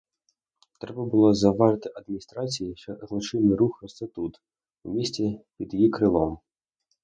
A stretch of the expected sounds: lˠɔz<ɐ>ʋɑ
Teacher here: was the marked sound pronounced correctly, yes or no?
yes